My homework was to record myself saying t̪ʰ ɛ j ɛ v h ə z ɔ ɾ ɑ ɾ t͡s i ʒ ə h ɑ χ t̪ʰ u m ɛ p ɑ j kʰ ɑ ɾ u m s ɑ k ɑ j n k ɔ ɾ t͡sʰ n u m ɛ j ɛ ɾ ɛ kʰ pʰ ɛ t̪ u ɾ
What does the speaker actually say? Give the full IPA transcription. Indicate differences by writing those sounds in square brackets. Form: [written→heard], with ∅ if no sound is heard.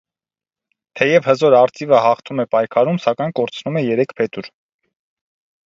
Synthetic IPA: t̪ʰ ɛ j ɛ v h ə z ɔ ɾ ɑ ɾ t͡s i [ʒ→v] ə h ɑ χ t̪ʰ u m ɛ p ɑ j kʰ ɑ ɾ u m s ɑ k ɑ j n k ɔ ɾ t͡sʰ n u m ɛ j ɛ ɾ ɛ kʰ pʰ ɛ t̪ u ɾ